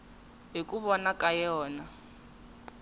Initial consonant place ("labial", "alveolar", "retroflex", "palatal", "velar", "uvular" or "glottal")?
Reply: glottal